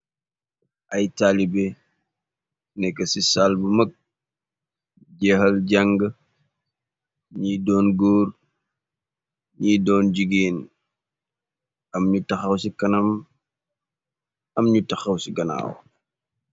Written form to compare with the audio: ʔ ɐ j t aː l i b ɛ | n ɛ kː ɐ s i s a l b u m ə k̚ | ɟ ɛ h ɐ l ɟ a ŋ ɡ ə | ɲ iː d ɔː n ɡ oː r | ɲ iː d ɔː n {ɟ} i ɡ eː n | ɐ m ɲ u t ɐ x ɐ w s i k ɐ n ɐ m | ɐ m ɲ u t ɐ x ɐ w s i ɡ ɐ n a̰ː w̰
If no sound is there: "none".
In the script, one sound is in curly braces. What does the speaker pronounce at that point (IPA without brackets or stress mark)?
ɟ